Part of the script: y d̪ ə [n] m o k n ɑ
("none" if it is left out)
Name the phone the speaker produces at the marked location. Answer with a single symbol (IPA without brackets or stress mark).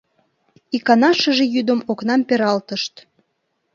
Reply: none